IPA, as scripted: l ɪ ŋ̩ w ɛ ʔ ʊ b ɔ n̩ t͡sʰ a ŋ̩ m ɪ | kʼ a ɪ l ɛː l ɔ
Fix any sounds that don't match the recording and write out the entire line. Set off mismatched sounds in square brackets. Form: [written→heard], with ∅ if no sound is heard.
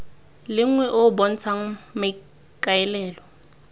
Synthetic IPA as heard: l ɪ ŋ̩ w ɛ ʔ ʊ b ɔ n̩ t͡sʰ a ŋ̩ m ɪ | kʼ a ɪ l ɛː l ɔ